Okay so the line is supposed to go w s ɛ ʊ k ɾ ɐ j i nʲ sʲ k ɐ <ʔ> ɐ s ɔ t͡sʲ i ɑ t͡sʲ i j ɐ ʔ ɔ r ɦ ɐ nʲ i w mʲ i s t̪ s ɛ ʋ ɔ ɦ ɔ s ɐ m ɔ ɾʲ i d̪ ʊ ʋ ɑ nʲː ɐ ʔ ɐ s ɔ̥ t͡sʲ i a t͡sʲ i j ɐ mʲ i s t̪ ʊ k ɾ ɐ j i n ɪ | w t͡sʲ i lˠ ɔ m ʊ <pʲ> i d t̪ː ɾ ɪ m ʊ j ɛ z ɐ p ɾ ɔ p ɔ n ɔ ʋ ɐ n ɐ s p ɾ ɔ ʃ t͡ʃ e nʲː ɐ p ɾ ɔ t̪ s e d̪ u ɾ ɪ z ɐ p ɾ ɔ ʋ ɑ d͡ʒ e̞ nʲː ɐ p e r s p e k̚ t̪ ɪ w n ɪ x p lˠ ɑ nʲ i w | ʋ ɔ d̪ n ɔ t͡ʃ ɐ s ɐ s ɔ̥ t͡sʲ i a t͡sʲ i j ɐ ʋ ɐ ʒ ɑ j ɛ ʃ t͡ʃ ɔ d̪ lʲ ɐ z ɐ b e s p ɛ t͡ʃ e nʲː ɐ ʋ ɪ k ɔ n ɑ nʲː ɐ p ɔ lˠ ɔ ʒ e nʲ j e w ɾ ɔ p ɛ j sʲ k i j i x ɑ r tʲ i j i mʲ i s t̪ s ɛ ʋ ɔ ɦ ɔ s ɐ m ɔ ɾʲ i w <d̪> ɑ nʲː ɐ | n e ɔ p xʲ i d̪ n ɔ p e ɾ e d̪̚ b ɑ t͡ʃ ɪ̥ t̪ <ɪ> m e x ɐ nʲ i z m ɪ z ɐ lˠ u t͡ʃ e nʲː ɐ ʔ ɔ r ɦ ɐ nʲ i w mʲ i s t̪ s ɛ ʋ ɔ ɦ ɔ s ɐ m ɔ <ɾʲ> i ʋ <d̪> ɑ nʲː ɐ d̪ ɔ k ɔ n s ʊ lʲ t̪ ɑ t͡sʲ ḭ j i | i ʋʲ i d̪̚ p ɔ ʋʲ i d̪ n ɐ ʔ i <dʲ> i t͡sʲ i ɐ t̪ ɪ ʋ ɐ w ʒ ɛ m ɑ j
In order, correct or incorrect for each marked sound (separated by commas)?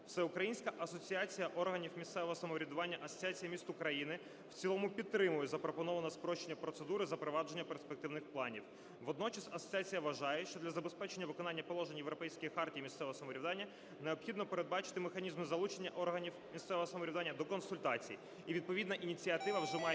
correct, correct, correct, correct, correct, correct, incorrect